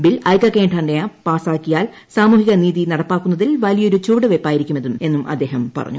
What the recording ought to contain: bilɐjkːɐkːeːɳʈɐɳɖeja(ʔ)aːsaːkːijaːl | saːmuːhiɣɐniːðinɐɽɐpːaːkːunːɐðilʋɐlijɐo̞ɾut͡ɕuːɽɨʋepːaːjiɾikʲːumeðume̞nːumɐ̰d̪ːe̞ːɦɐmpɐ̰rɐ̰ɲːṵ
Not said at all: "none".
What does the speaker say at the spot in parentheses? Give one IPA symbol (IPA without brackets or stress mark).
p